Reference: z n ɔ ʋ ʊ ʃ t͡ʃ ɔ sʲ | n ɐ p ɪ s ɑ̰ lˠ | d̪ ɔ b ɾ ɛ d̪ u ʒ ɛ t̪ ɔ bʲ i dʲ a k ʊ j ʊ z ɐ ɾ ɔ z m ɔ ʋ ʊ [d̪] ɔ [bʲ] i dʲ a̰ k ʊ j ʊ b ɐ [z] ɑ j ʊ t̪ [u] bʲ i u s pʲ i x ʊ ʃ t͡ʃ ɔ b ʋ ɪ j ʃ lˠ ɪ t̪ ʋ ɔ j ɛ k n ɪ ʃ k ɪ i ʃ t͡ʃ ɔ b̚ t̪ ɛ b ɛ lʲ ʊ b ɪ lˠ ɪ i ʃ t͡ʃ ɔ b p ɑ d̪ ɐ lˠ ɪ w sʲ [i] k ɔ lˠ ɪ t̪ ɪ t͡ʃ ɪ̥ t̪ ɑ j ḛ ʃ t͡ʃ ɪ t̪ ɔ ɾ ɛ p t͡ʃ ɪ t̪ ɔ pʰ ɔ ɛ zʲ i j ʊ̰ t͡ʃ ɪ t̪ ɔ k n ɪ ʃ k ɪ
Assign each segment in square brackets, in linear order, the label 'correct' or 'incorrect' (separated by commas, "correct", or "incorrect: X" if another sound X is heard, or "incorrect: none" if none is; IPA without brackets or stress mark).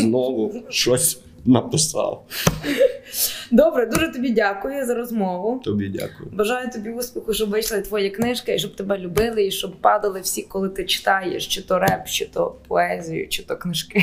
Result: incorrect: t̪, correct, incorrect: ʒ, incorrect: ɔ, correct